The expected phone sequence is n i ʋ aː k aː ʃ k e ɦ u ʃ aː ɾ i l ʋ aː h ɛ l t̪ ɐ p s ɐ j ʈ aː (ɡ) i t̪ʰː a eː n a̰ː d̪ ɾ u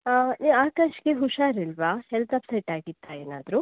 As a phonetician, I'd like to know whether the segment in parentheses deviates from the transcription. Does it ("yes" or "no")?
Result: no